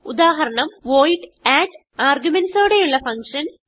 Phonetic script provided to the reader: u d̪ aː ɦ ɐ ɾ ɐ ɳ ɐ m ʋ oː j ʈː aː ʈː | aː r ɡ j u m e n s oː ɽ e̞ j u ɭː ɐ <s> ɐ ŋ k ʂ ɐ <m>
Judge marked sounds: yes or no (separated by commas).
no, no